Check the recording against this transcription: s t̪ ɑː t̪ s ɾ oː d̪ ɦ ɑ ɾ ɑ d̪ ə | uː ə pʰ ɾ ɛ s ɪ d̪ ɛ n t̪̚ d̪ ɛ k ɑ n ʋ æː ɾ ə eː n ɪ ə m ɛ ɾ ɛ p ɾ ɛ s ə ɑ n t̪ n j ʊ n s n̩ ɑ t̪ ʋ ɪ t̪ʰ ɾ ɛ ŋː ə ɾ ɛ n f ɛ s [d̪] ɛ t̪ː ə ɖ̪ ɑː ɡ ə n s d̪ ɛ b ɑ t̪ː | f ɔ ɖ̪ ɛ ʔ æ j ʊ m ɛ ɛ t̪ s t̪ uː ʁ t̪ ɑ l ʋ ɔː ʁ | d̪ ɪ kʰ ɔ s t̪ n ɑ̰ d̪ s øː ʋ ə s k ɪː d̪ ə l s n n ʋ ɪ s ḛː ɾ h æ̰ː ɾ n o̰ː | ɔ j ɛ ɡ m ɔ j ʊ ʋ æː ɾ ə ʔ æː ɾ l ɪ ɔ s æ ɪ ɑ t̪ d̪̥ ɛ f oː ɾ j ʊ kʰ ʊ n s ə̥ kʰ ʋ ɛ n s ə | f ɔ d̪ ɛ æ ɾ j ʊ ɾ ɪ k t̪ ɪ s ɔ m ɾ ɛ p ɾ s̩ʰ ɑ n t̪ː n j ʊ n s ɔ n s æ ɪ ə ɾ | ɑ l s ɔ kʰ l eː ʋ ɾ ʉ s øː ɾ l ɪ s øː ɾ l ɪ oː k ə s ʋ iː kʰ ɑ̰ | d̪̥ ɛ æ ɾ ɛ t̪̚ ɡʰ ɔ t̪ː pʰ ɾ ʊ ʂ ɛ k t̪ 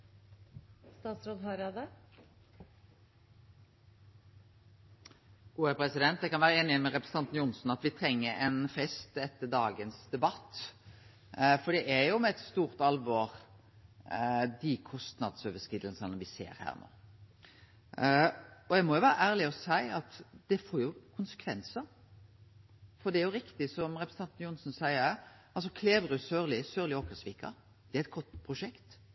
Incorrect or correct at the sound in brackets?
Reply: incorrect: t̪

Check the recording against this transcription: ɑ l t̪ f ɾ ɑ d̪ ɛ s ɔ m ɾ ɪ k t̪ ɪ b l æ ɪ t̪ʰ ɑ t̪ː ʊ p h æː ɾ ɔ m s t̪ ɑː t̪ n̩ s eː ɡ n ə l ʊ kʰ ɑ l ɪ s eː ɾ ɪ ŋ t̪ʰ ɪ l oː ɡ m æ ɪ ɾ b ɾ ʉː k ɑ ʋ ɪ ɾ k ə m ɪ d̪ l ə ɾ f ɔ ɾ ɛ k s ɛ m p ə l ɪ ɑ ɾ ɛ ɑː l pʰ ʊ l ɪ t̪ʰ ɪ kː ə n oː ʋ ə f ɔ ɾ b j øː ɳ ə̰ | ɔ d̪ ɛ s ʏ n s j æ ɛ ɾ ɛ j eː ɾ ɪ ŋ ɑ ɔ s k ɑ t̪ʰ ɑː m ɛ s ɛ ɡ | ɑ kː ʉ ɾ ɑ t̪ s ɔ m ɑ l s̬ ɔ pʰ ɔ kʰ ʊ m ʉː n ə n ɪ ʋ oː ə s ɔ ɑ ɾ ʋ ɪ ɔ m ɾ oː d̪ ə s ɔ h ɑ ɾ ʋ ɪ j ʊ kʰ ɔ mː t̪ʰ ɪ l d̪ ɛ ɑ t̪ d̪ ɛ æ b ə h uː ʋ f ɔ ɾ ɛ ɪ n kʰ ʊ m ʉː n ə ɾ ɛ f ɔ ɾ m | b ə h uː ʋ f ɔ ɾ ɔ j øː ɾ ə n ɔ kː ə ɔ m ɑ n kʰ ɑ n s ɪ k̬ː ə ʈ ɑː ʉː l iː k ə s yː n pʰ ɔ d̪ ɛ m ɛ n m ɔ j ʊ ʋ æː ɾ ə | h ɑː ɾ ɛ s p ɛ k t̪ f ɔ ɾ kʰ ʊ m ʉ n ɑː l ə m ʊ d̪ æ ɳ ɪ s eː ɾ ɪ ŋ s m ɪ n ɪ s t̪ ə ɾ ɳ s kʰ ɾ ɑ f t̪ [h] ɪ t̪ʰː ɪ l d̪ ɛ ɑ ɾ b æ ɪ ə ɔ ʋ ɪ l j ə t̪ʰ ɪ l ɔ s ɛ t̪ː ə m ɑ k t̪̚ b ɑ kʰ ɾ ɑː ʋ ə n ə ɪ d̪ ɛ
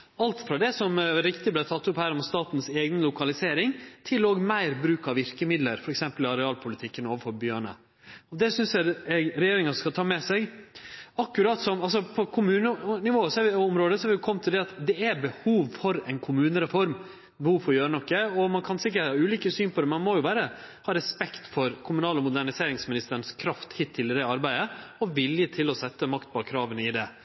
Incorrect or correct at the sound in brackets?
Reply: correct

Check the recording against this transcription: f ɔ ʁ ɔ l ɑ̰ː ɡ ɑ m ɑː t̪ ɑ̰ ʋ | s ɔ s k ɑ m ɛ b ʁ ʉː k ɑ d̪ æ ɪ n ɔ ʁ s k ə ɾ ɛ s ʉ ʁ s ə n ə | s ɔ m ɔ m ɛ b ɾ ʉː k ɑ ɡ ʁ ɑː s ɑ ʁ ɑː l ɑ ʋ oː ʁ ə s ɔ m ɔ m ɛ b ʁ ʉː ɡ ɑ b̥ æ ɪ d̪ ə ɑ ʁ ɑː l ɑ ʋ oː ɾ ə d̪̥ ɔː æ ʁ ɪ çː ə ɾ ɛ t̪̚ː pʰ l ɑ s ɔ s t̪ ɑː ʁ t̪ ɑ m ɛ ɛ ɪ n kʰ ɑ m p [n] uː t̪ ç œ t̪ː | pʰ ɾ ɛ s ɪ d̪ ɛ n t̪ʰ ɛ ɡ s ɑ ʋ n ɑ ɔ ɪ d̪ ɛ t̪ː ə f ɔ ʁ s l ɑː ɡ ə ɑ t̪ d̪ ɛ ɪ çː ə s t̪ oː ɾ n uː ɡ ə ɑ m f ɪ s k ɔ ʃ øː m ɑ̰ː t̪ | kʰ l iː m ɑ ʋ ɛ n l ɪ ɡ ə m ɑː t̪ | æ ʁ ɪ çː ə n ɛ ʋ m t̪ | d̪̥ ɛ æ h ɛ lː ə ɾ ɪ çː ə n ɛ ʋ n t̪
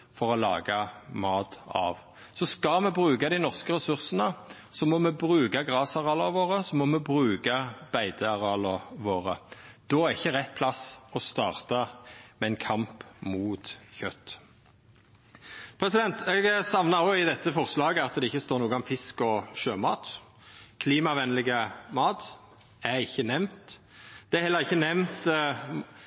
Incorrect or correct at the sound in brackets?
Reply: incorrect: m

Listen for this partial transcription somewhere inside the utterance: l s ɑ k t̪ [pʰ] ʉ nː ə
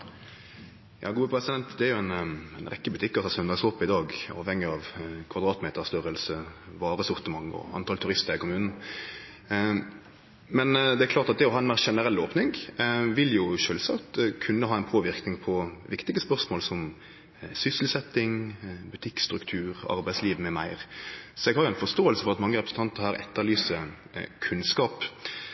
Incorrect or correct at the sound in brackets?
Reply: incorrect: kʰ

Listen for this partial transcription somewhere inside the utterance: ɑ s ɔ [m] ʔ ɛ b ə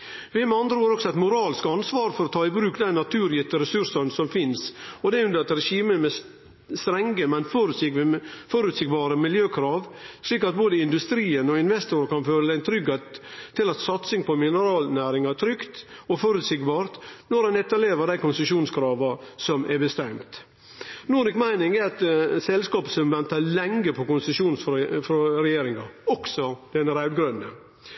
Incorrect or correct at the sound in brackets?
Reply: correct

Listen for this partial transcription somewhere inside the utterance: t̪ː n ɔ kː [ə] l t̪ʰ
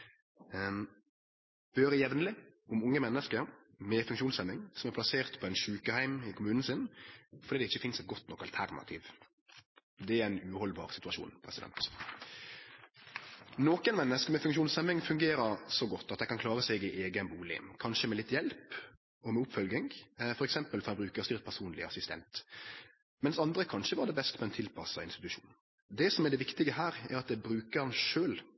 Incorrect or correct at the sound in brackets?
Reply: incorrect: ɑ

